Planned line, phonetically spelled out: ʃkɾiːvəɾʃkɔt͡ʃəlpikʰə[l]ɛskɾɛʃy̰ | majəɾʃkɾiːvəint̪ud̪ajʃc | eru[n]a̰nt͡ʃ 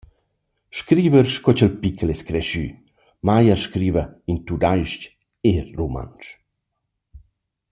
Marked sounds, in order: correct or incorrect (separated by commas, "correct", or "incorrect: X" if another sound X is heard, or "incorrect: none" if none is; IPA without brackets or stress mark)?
correct, incorrect: m